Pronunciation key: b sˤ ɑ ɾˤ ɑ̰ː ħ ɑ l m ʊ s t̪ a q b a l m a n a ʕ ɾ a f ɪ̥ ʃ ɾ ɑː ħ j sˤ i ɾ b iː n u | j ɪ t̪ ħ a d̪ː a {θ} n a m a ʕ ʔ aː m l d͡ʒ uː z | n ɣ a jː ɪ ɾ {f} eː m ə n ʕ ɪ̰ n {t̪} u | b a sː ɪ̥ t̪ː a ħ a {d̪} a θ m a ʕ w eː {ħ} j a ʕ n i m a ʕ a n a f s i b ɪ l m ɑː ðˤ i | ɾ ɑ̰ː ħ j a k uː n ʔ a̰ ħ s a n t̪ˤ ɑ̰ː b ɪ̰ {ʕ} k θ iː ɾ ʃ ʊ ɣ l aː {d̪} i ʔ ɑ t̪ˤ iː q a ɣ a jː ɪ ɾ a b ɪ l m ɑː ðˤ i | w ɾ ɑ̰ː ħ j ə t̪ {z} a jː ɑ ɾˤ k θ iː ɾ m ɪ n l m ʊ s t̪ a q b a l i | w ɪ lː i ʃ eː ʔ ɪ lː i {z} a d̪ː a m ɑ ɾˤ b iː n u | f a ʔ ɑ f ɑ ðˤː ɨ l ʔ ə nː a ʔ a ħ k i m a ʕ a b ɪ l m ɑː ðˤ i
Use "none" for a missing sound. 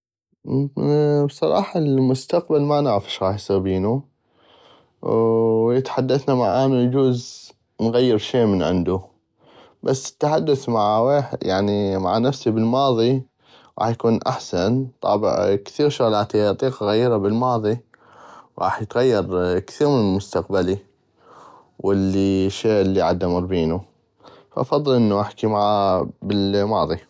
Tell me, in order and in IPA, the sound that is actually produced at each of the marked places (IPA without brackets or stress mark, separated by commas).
θ, ʃ, d̪, d̪ː, ħ, ʕ, t̪, ɣ, ʕ